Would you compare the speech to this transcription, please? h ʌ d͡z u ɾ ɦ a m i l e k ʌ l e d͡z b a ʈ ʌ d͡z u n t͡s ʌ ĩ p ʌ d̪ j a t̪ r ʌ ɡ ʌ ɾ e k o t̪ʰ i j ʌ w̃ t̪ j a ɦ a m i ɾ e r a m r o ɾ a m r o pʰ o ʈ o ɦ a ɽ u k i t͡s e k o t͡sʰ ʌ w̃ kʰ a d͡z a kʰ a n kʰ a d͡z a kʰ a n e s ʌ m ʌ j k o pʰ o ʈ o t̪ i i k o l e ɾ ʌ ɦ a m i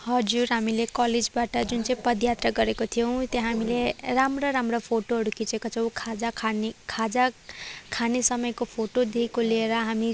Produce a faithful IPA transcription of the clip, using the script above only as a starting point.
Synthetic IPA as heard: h ʌ d͡z u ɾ ɦ a m i l e k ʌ l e d͡z b a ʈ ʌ d͡z u n t͡s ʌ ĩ p ʌ d̪ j a t̪ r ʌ ɡ ʌ ɾ e k o t̪ʰ i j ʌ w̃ t̪ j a ɦ a m i l e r a m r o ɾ a m r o pʰ o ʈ o ɦ ʌ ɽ u k i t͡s e k o t͡sʰ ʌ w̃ kʰ a d͡z a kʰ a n kʰ a d͡z a kʰ a n e s ʌ m ʌ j k o pʰ o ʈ o d̪ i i k o l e ɾ ʌ ɦ a m i

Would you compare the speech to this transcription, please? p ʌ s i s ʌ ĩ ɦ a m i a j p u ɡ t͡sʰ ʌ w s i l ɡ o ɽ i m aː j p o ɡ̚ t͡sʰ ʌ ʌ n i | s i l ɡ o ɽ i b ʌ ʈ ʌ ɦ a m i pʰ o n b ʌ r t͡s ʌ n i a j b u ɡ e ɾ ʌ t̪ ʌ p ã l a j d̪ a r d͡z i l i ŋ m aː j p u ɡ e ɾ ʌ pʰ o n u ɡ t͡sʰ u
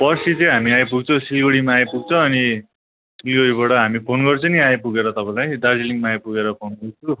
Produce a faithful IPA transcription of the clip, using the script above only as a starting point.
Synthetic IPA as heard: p ʌ s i t͡s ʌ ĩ ɦ a m i a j p u ɡ t͡sʰ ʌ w s i l ɡ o ɽ i m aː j p u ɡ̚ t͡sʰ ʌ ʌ n i | s i l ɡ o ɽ i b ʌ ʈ ʌ ɦ a m i pʰ o n ɡ ʌ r t͡s ʌ n i a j p u ɡ e ɾ ʌ t̪ ʌ p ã l a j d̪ a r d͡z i l i ŋ m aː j p u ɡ e ɾ ʌ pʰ o n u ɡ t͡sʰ u

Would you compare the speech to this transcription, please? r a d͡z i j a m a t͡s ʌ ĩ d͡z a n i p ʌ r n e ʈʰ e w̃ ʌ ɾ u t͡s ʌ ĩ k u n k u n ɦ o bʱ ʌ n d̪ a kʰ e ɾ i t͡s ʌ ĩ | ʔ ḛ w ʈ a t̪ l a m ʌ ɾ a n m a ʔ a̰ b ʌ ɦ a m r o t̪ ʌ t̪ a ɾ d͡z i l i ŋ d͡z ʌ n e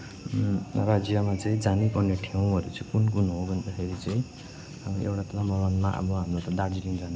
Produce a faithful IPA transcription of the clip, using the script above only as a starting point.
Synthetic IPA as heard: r a d͡z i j a m a t͡s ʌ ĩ d͡z a n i p ʌ r n e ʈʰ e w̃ ʌ ɾ u t͡s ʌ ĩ k u n k u n ɦ o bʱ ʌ n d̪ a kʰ e ɾ i t͡s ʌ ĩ | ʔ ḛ w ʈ a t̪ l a m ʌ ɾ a n m a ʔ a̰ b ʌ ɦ a m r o t̪ ʌ d̪ a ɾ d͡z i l i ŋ d͡z a n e

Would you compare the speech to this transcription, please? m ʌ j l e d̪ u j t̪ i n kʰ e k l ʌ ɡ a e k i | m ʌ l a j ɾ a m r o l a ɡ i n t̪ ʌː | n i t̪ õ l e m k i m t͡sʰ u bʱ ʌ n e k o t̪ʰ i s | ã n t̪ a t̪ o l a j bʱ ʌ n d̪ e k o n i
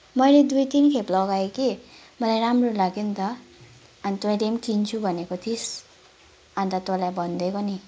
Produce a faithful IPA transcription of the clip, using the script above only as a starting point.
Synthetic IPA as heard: m ʌ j l e d̪ u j t̪ i n kʰ e p l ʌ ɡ a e k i | m ʌ l a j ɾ a m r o l a ɡ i n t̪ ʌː | n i t̪ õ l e m k i n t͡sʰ u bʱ ʌ n e k o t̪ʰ i s | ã n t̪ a t̪ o l a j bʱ ʌ n d̪ e k o n i

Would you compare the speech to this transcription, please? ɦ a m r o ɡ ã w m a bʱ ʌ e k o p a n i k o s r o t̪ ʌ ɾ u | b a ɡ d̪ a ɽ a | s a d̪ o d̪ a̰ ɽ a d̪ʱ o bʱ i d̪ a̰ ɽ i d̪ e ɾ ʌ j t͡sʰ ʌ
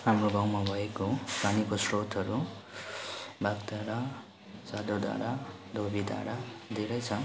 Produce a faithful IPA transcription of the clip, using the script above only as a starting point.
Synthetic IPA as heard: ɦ a m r o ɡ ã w m a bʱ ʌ e k o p a n i k o s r o t̪ ʌ ɾ u | b a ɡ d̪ a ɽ a | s a d̪ o d̪ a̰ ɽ a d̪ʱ o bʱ i d̪ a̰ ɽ a d̪ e ɾ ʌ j t͡sʰ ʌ

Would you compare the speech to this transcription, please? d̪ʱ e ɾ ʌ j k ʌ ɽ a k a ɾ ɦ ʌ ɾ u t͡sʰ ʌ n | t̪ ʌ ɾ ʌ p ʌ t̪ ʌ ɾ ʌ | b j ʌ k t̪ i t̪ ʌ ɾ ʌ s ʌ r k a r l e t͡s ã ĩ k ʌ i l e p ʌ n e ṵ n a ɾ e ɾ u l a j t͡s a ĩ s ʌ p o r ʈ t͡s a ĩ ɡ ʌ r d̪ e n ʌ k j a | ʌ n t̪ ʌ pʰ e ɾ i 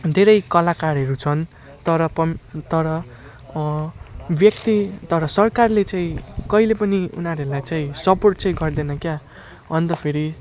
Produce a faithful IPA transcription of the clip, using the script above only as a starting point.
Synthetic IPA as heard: d̪ʱ e ɾ ʌ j k ʌ l a k a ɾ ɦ ʌ ɾ u t͡sʰ ʌ n | t̪ ʌ ɾ ʌ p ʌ t̪ ʌ ɾ ʌ | b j ʌ k t̪ i t̪ ʌ ɾ ʌ s ʌ r k a r l e t͡s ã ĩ k ʌ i l e p ʌ n i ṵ n a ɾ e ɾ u l a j t͡s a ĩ s ʌ p o r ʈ t͡s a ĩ ɡ ʌ r d̪ e n ʌ k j a | ʌ n t̪ ʌ pʰ e ɾ i

